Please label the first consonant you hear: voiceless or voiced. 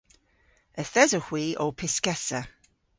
voiceless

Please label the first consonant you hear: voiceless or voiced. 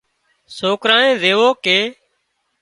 voiceless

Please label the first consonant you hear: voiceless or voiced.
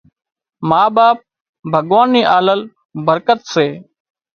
voiced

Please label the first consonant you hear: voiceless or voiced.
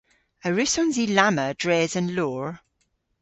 voiced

